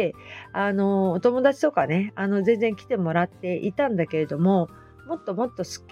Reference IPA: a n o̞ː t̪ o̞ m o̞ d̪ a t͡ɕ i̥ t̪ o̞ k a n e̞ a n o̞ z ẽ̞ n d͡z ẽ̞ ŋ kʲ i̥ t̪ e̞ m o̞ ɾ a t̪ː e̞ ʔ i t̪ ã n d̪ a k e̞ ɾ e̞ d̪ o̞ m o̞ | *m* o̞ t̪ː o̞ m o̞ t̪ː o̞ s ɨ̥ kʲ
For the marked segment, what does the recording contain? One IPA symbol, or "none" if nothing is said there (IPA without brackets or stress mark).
m